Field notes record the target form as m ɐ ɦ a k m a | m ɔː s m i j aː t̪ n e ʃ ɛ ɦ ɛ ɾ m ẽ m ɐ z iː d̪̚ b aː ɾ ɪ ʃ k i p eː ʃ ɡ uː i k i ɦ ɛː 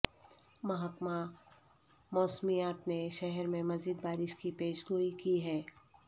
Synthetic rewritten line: m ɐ ɦ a k m a | m ɔː s m i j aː t̪ n e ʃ ɛ ɦ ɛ ɾ m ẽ m ɐ z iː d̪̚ b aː ɾ ɪ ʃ k i p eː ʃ ɡ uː i k i ɦ ɛː